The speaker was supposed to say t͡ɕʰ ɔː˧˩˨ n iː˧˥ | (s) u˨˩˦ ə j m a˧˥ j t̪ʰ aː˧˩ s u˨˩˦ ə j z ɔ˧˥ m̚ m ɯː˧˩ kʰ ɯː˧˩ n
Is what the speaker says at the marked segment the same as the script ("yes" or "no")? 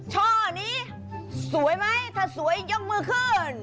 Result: yes